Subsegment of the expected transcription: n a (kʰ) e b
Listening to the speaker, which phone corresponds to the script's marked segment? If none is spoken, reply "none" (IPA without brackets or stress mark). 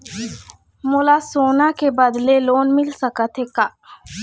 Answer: k